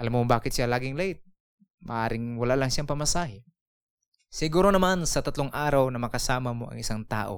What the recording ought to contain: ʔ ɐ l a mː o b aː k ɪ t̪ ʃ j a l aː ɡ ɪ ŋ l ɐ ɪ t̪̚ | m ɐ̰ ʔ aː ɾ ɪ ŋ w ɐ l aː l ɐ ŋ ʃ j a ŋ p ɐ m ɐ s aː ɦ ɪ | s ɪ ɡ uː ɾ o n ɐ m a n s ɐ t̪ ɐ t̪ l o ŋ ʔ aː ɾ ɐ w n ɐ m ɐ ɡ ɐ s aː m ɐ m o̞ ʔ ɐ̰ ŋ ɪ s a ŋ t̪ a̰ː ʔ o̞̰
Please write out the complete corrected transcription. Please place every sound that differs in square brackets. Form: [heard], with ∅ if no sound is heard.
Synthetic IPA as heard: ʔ ɐ l a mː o b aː k ɪ t̪ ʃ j a l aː ɡ ɪ ŋ l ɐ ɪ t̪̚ | m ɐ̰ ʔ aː ɾ ɪ ŋ w ɐ l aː l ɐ ŋ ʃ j a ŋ p ɐ m ɐ s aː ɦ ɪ | s ɪ ɡ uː ɾ o n ɐ m a n s ɐ t̪ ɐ t̪ l o ŋ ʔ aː ɾ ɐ w n ɐ m ɐ [k] ɐ s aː m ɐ m o̞ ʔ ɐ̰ ŋ ɪ s a ŋ t̪ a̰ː ʔ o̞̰